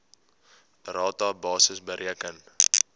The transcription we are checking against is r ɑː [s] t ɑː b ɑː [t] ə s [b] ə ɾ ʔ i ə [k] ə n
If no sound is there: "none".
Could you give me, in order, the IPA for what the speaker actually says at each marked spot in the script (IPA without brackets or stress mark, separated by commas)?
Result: none, s, b, k